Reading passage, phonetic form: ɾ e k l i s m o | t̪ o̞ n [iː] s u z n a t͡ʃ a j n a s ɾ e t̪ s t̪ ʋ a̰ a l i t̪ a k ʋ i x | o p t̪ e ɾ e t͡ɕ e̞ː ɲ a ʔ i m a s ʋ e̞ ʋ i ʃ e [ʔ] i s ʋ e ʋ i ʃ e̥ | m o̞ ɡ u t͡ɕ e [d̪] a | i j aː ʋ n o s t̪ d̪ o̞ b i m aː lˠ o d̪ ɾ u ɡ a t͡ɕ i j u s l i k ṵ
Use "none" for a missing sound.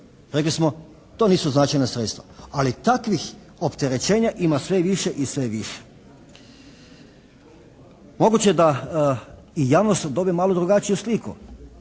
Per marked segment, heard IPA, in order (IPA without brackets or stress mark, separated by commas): iː, ʔ, d̪